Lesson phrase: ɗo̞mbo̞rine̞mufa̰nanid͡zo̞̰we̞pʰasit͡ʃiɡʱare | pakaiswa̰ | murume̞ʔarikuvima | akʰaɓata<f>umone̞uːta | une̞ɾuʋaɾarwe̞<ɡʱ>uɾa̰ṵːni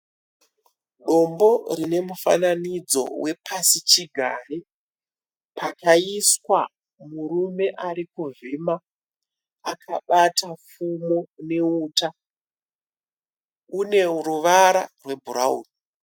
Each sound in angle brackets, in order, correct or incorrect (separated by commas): correct, incorrect